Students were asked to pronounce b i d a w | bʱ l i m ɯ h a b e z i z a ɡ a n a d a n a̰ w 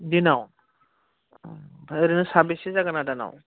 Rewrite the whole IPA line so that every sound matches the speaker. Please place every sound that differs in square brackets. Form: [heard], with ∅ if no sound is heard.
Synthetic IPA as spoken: [d] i [n] a w | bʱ [ɾ] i [n] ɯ [s] a b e [s] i z a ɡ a n a d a n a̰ w